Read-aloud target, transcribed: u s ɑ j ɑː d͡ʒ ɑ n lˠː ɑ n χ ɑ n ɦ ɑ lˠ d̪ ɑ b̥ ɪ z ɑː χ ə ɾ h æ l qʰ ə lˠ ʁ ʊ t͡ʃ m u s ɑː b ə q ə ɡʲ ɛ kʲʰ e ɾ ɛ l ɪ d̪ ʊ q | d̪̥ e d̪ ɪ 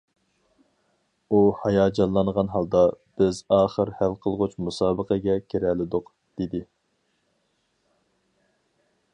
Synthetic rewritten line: u h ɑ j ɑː d͡ʒ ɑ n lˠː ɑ n ʁ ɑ n ɦ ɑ lˠ d̪ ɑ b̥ ɪ z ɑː χ ə ɾ h æ l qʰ ə lˠ ʁ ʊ t͡ʃ m u s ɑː b ə q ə ɡʲ ɛ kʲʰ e ɾ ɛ l ɪ d̪ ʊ q | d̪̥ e d̪ ɪ